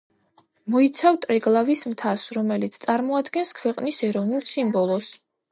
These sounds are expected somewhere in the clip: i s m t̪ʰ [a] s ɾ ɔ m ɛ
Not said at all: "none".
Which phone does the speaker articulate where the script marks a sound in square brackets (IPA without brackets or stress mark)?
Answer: a